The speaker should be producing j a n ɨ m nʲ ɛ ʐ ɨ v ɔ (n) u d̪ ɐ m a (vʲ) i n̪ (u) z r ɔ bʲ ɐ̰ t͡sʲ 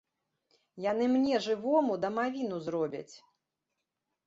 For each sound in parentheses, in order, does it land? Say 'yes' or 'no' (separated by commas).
no, yes, yes